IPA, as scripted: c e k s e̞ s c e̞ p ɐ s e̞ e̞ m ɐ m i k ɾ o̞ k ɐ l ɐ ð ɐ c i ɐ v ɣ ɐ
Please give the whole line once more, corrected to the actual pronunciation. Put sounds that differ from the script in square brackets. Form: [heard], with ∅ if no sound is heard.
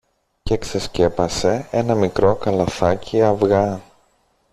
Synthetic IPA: c e k s e̞ s c e̞ p ɐ s e̞ e̞ [n] ɐ m i k ɾ o̞ k ɐ l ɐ [θ] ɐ c i ɐ v ɣ ɐ